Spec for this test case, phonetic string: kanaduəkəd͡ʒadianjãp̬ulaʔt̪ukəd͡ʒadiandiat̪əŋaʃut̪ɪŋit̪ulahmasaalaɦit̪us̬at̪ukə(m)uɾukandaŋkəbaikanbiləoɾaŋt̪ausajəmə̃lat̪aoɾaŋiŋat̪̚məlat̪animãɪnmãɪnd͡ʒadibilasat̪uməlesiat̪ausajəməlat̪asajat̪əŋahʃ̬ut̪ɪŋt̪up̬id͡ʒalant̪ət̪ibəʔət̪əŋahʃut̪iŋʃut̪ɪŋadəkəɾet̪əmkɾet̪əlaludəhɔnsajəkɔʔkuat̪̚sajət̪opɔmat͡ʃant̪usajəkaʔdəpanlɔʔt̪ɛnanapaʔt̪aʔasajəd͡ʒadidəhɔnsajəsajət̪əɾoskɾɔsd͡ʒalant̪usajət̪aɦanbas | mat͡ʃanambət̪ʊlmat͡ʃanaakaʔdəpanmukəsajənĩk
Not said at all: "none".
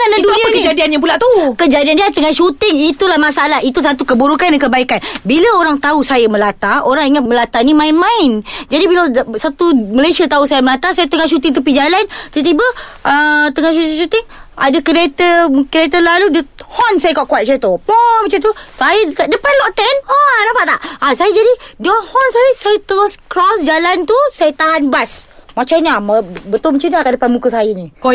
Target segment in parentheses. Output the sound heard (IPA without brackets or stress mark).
b